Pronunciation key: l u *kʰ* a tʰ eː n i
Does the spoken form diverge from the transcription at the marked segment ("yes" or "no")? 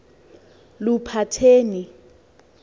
yes